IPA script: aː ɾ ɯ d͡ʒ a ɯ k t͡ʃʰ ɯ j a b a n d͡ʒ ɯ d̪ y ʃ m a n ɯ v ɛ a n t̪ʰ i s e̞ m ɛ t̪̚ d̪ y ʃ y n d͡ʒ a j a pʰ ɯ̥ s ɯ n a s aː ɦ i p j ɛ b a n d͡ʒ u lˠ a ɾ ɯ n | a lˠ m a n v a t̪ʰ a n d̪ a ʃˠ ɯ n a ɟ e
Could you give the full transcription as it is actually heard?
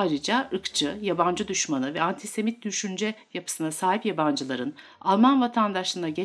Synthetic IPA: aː ɾ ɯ d͡ʒ a ɯ k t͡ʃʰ ɯ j a b a n d͡ʒ ɯ d̪ y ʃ m a n ɯ v ɛ a n t̪ʰ i s e̞ m i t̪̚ d̪ y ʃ y n d͡ʒ ɛ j a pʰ ɯ̥ s ɯ n a s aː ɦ i p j a b a n d͡ʒ ɯ lˠ a ɾ ɯ n | a lˠ m a n v a t̪ʰ a n d̪ a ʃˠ ɯ n a ɟ e